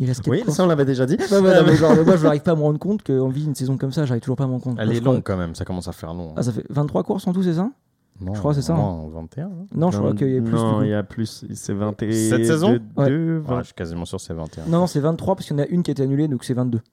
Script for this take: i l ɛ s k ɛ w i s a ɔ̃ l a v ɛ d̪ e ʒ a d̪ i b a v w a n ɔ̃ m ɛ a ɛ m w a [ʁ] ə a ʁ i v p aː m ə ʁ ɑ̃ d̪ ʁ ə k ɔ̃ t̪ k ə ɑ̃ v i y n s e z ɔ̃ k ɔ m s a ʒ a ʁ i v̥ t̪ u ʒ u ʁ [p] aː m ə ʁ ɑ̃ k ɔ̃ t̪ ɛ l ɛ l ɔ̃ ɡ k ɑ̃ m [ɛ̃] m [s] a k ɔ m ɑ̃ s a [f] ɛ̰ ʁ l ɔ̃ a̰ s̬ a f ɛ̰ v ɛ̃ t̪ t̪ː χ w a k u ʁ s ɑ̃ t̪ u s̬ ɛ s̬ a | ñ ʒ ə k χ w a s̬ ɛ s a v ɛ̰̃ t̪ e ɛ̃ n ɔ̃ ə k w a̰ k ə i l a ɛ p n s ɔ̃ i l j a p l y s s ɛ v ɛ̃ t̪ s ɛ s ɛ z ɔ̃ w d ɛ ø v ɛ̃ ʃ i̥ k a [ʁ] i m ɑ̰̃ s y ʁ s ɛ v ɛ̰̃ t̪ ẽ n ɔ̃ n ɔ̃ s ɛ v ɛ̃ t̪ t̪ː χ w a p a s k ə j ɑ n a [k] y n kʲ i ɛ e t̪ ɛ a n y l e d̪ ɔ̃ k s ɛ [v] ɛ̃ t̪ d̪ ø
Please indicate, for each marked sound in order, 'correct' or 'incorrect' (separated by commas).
incorrect, correct, incorrect, correct, correct, incorrect, incorrect, correct